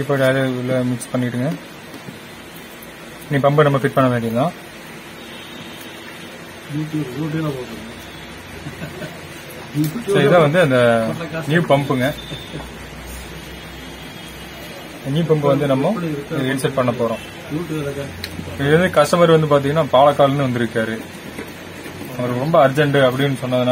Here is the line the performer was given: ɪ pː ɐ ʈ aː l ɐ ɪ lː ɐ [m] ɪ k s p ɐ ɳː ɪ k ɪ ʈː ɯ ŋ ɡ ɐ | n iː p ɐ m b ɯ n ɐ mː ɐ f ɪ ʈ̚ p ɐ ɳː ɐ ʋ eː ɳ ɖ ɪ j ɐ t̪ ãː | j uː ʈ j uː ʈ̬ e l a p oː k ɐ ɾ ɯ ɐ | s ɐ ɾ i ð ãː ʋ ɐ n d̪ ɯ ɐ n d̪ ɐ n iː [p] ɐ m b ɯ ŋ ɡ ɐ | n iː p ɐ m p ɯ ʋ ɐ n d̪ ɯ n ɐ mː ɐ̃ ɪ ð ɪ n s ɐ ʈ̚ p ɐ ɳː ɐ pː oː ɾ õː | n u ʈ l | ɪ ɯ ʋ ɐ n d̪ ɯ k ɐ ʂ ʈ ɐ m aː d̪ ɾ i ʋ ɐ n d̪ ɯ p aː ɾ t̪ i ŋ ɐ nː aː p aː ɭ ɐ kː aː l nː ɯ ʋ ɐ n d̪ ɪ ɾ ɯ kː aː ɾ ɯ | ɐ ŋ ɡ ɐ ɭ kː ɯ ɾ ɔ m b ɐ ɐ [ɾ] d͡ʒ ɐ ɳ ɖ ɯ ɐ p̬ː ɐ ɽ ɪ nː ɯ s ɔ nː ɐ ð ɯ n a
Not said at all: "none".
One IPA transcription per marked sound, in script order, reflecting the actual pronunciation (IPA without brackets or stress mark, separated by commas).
m, p, ɾ